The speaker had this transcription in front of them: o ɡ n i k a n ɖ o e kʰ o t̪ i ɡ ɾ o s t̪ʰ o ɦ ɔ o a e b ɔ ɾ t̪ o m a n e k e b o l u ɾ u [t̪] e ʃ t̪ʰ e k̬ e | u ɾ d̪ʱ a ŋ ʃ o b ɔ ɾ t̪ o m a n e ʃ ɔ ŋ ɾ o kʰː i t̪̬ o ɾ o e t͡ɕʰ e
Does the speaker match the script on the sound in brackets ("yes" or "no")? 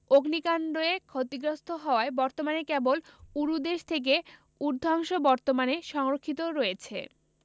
no